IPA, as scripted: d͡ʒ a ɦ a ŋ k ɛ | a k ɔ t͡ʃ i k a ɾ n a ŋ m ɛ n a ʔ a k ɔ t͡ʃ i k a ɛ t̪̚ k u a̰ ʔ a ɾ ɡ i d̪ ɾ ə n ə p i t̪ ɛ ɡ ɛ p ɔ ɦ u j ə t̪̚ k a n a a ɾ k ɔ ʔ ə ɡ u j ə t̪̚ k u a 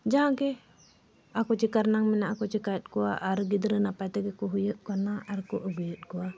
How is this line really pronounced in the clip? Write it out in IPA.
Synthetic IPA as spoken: d͡ʒ a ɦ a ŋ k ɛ | a k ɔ t͡ʃ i k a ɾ n a ŋ m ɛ n a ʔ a k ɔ t͡ʃ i k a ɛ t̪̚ k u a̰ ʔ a ɾ ɡ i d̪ ɾ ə n a p a t̪ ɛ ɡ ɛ k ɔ ɦ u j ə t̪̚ k a n a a ɾ k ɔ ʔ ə ɡ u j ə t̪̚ k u a